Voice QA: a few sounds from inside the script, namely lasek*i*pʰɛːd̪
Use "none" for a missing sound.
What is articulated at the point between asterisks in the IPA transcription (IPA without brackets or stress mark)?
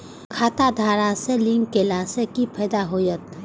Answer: i